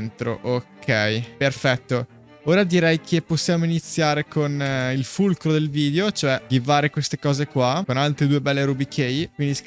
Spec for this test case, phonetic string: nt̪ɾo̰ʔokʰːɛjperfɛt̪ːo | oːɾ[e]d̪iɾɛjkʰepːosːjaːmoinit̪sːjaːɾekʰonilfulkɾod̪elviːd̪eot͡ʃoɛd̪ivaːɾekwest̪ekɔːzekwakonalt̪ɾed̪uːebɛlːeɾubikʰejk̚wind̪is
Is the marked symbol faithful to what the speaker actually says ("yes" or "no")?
no